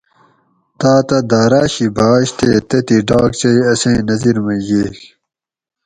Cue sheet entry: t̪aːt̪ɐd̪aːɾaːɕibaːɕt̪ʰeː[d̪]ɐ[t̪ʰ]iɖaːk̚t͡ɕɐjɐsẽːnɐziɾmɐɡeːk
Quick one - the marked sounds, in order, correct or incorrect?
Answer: incorrect: t̪, incorrect: t̪

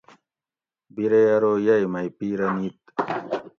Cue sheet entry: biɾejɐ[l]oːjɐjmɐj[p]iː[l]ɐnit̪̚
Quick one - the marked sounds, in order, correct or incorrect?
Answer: incorrect: ɾ, correct, incorrect: ɾ

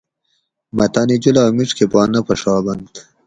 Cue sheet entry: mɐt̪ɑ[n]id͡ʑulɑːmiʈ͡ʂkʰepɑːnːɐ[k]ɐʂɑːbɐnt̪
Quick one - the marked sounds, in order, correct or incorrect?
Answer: correct, incorrect: p

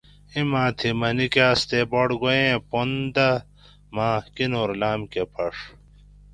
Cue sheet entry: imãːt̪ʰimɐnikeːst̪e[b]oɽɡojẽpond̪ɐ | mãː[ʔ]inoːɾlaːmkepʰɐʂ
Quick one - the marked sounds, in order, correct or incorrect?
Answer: correct, incorrect: k

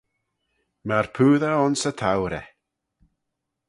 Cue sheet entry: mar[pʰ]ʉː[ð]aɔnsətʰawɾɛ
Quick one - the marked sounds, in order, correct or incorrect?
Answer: correct, correct

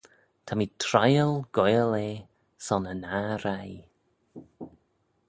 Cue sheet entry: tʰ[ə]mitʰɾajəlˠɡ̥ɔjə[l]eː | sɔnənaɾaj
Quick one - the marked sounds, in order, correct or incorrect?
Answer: incorrect: a, correct

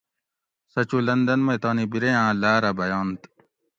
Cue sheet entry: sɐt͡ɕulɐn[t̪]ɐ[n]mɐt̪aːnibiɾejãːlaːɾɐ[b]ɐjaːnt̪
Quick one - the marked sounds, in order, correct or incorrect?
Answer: incorrect: d̪, correct, correct

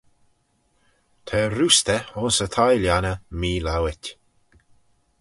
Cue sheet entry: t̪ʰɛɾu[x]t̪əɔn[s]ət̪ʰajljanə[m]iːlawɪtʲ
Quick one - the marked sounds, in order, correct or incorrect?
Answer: incorrect: s, correct, correct

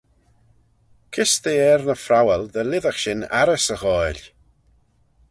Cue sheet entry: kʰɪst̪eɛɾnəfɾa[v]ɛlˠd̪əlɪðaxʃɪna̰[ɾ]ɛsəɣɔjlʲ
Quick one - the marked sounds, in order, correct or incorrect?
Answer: incorrect: w, correct

